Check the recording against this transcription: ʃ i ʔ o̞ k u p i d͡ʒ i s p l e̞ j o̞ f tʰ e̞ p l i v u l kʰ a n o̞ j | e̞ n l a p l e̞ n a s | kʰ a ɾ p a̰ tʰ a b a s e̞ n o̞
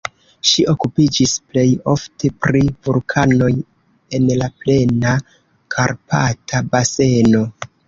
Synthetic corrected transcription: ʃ i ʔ o̞ k u p i d͡ʒ i s p l e̞ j o̞ f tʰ e̞ p ɾ i v u l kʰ a n o̞ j | e̞ n l a p l e̞ n a | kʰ a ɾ p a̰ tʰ a b a s e̞ n o̞